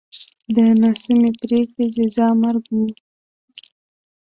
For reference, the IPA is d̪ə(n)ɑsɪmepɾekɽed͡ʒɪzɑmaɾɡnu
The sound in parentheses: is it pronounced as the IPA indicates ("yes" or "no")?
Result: yes